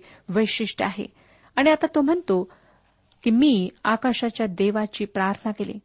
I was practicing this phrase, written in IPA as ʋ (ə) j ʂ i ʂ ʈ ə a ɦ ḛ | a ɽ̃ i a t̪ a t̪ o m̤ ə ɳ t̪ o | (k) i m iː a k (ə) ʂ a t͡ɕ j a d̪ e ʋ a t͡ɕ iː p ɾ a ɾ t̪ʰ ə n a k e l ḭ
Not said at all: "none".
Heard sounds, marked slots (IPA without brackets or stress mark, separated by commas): ə, k, a